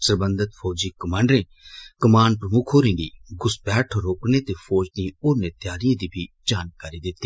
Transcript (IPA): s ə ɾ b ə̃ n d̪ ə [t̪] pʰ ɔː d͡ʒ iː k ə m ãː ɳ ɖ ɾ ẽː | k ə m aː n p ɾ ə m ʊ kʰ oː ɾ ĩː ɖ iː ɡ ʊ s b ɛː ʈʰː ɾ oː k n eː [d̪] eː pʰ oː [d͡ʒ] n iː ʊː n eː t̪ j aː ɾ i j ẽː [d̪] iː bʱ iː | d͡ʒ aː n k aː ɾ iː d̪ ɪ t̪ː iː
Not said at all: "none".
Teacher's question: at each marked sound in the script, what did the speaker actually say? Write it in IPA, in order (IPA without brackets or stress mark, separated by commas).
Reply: t̪, t̪, d͡ʒ, d̪